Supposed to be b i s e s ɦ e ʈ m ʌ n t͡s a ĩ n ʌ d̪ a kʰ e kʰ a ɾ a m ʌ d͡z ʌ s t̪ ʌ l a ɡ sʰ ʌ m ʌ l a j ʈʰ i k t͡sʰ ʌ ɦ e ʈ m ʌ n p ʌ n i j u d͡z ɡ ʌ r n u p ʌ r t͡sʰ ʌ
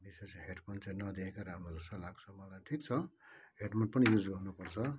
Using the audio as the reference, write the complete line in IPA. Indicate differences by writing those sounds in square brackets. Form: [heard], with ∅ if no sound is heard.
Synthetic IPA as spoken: b i s e s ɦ e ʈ m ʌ n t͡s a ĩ n ʌ d̪ [e] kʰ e [k] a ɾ a m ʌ d͡z ʌ s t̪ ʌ l a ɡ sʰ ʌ m ʌ l a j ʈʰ i k t͡sʰ ʌ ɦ e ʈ m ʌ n p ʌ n i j u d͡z ɡ ʌ r n u p ʌ r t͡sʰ ʌ

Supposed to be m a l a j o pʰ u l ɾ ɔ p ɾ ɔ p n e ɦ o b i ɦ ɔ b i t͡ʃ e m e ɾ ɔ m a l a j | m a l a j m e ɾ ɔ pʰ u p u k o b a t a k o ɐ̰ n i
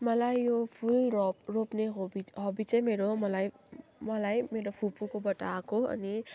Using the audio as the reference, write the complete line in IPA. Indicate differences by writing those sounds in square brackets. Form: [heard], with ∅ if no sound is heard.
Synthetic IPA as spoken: m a l a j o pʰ u l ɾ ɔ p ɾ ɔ p n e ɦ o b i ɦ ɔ b i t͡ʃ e m e ɾ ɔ m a l a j | m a l a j m e ɾ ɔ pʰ u p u k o b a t a k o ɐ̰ n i

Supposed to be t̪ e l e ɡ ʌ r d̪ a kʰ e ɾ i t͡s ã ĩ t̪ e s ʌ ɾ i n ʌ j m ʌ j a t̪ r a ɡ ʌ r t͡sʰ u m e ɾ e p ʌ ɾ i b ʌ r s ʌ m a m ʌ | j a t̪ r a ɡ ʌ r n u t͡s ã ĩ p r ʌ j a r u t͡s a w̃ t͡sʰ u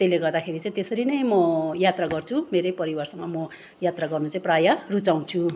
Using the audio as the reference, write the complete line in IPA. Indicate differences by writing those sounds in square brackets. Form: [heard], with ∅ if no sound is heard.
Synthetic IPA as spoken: t̪ e l e ɡ ʌ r d̪ a kʰ e ɾ i t͡s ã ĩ t̪ e s ʌ ɾ i n ʌ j m ʌ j a t̪ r a ɡ ʌ r t͡sʰ u m e ɾ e p ʌ ɾ i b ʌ r s ʌ m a m ʌ | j a t̪ r a ɡ ʌ r n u t͡s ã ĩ p r [a] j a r u t͡s a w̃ t͡sʰ u

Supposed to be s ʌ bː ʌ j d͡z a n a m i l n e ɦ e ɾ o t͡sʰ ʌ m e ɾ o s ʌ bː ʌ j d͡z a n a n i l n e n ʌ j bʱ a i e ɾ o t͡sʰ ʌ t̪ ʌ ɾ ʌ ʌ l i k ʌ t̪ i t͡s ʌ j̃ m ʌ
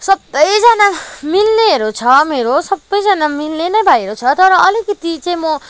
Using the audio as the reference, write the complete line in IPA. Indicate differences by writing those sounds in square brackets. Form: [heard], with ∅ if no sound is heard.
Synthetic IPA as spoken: s ʌ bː ʌ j d͡z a n a m i l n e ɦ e ɾ o t͡sʰ ʌ m e ɾ o s ʌ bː ʌ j d͡z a n a [m] i l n e n ʌ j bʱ a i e ɾ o t͡sʰ ʌ t̪ ʌ ɾ ʌ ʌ l i k ʌ t̪ i t͡s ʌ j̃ m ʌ

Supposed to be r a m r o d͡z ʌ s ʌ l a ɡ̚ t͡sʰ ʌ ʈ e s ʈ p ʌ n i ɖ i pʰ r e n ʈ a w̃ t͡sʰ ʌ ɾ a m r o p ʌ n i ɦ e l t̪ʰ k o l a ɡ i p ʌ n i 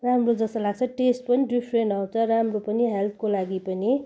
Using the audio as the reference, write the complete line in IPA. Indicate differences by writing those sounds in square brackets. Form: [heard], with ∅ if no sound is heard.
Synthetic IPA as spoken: r a m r o d͡z ʌ s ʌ l a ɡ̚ t͡sʰ ʌ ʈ e s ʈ p ʌ n i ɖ i pʰ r e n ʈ a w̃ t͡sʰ ʌ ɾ a m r o p ʌ n i ɦ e l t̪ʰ k o l a ɡ i p ʌ n i

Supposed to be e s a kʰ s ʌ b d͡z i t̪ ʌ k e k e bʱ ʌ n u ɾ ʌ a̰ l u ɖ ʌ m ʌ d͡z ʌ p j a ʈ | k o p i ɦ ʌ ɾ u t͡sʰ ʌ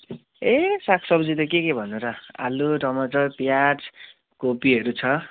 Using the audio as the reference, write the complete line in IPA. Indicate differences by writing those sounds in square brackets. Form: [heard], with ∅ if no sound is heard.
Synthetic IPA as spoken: e s a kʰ s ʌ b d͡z i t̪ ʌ k e k e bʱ ʌ n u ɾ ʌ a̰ l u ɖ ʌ m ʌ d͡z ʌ p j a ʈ | k o p i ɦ ʌ ɾ u t͡sʰ ʌ

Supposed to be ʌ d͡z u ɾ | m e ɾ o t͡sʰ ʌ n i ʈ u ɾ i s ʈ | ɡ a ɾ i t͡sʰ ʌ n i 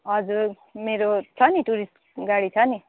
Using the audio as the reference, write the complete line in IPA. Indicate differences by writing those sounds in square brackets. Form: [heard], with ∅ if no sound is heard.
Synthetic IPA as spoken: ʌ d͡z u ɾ | m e ɾ o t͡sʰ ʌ n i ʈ u ɾ i s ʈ | ɡ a [ɽ] i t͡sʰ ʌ n i

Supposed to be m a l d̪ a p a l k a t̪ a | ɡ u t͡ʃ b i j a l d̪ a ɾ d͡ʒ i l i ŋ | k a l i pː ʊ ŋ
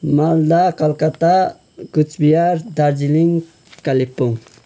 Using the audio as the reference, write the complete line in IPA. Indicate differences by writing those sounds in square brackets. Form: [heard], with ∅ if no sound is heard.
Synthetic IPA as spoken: m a l d̪ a [k] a l k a t̪ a | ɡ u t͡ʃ b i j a [ɾ] d̪ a ɾ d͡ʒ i l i ŋ | k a l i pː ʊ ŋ

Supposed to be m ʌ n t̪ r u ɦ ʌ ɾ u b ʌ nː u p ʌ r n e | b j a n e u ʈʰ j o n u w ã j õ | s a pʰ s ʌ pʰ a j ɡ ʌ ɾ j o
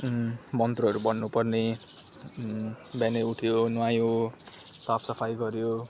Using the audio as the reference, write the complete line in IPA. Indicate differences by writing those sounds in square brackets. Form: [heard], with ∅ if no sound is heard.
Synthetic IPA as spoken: m ʌ n t̪ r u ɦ ʌ ɾ u b ʌ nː u p ʌ r n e | b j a n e u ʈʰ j o n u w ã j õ | s a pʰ s ʌ pʰ a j ɡ ʌ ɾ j o

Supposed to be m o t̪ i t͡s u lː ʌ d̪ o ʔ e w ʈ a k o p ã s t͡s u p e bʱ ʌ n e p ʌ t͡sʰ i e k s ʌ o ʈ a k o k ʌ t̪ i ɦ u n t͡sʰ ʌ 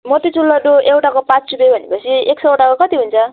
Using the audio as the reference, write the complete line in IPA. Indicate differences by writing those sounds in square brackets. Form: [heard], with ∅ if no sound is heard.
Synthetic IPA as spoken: m o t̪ i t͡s u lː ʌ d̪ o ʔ e w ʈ a k o p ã [t͡s] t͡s u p e bʱ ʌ n e p ʌ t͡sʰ i e k s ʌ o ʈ a k o k ʌ t̪ i ɦ u n t͡sʰ ʌ

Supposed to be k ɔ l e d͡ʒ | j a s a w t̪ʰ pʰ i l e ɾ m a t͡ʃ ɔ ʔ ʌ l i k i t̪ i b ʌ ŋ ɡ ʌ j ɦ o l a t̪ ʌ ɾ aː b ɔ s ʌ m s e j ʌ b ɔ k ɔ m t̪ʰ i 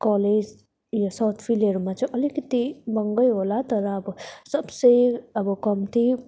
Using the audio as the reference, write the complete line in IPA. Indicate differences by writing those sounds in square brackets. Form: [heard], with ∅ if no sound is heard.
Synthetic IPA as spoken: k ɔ l e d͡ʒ | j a s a w t̪ʰ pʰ i l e ɾ m a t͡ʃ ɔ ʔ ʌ l i k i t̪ i b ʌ ŋ ɡ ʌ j ɦ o l a t̪ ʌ ɾ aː b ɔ s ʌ [b] s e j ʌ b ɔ k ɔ m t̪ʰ i

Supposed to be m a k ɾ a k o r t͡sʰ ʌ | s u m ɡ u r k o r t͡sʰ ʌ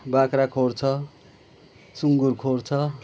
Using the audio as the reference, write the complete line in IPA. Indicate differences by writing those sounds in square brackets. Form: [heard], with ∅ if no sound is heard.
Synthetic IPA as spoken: [b] a k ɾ a [kʰ] o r t͡sʰ ʌ | s u [ŋ] ɡ u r [kʰ] o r t͡sʰ ʌ

